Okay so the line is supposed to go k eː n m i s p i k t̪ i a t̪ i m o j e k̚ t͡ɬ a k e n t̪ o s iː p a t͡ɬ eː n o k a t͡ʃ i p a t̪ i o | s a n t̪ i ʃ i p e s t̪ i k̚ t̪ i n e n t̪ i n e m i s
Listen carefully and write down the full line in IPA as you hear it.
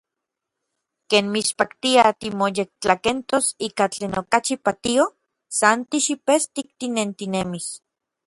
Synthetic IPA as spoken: k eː n m i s p a k t̪ i a t̪ i m o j e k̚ t͡ɬ a k e n t̪ o s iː k a t͡ɬ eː n o k a t͡ʃ i p a t̪ i o | s a n t̪ i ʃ i p e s t̪ i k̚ t̪ i n e n t̪ i n e m i s